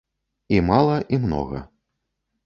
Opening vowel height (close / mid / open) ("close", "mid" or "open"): close